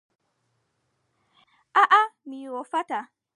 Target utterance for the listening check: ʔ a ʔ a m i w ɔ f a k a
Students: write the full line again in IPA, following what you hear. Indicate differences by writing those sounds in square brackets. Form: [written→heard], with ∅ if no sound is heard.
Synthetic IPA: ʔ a ʔ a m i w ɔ f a [k→t] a

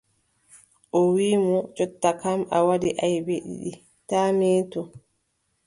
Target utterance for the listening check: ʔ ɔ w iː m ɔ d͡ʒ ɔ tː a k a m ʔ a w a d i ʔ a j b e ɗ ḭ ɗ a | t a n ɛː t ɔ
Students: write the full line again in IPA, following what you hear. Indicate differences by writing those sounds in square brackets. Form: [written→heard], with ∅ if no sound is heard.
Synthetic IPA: ʔ ɔ w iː m ɔ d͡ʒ ɔ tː a k a m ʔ a w a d i ʔ a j b e ɗ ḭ ɗ [a→i] | t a [n→m] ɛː t ɔ

